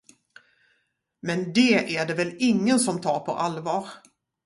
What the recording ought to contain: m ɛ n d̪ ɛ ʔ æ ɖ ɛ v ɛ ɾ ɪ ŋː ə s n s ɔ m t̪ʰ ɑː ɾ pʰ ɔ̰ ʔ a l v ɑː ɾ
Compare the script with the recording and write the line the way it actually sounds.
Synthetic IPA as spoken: m ɛ n d̪ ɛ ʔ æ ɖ ɛ v ɛ l ɪ ŋː ə n s ɔ m t̪ʰ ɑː ɾ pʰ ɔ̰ ʔ a l v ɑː ɾ